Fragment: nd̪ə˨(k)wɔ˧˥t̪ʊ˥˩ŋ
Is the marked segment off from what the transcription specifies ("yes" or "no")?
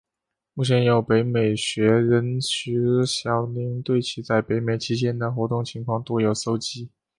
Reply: yes